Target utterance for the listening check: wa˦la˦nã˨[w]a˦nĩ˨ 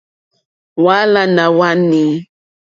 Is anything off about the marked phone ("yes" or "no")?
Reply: no